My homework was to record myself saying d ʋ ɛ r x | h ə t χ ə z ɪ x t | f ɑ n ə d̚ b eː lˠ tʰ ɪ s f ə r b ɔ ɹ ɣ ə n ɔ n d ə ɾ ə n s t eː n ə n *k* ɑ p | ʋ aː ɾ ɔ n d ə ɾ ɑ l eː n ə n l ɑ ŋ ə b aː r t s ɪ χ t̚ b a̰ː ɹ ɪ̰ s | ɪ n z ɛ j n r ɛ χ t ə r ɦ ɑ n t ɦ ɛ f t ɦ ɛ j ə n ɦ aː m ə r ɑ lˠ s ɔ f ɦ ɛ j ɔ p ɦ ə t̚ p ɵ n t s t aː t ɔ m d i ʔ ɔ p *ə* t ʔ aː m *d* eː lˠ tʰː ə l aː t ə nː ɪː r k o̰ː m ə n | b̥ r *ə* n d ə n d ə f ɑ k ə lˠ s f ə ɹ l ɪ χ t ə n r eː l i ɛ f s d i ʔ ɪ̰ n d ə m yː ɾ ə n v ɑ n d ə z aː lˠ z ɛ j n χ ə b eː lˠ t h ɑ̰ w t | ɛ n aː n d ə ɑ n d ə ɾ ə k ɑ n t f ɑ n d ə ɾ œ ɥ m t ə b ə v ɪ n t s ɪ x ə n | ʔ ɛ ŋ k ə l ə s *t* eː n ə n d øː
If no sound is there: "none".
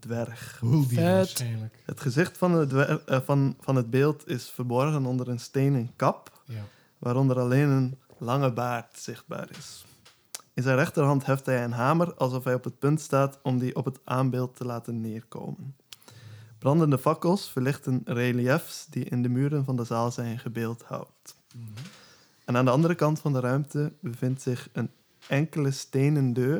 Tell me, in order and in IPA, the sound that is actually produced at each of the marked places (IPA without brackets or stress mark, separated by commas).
k, ə, b, ɑ, t